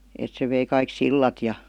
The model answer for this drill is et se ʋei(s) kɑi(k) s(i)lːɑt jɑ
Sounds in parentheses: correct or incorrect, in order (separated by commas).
incorrect, correct, correct